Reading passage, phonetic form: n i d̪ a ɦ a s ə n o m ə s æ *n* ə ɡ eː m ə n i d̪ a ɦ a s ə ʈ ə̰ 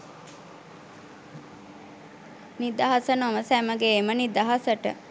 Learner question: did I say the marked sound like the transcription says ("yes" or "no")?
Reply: no